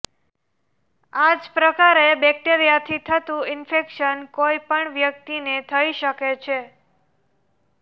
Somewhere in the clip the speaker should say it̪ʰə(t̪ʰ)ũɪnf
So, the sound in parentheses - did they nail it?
no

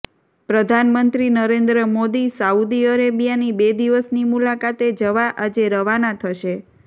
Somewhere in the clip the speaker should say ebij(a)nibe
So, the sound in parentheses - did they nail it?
yes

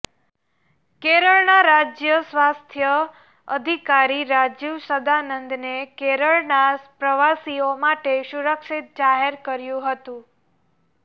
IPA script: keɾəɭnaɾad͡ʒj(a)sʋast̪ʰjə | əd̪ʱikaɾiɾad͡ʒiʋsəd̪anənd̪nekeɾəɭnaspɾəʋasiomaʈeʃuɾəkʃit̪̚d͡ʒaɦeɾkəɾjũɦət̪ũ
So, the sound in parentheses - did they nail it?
no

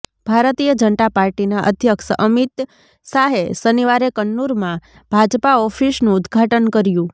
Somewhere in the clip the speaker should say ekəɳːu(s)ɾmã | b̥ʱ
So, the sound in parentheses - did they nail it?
no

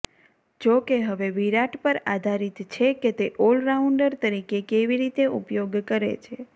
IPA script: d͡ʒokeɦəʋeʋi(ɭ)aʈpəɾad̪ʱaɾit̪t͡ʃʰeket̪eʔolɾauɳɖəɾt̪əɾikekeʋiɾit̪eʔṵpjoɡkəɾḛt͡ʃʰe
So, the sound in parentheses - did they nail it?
no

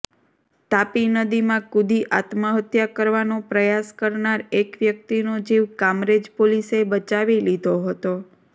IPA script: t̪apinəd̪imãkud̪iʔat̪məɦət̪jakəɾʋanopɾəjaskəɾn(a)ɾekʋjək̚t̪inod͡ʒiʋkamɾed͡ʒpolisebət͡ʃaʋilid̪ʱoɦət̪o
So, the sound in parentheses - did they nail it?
yes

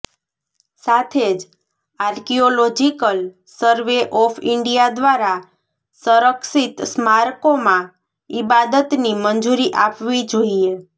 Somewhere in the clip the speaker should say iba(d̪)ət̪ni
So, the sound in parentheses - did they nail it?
yes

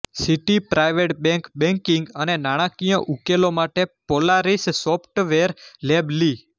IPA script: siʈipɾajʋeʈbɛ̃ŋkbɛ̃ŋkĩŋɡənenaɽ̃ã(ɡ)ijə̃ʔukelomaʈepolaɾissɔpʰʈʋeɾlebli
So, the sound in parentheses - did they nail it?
no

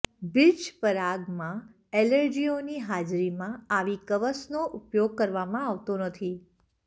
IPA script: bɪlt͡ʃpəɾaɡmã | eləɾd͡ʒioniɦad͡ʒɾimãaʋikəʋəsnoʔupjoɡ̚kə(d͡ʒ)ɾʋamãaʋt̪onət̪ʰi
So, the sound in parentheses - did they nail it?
no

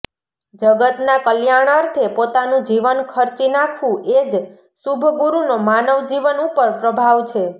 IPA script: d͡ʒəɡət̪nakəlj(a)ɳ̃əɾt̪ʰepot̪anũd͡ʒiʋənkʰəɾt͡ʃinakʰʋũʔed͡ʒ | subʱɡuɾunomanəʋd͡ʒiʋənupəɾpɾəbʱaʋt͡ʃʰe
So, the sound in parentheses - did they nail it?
yes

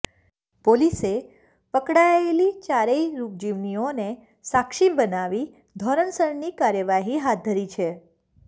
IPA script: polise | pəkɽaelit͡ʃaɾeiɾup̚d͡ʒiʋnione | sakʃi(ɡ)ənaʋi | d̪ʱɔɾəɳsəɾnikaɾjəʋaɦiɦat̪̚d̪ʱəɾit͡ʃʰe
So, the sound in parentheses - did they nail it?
no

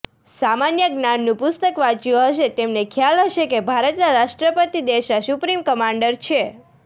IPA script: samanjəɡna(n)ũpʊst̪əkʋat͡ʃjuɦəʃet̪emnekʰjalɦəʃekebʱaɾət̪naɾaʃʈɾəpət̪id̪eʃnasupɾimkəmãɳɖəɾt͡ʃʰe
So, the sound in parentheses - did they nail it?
no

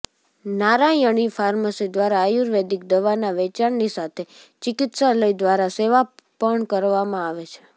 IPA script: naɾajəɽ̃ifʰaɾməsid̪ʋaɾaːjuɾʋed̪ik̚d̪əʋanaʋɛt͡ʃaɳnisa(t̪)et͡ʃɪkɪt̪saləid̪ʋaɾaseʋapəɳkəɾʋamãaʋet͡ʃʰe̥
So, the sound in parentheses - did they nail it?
no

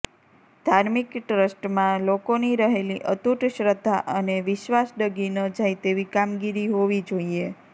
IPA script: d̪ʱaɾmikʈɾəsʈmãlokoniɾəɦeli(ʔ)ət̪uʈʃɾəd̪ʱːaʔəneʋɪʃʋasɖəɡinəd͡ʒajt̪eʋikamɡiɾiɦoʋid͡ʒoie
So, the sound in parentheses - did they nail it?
yes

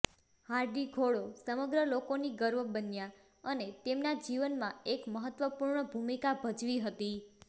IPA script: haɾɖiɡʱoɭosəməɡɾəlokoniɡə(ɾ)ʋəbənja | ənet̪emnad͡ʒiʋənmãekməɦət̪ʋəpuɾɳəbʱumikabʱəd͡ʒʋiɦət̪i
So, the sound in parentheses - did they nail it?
yes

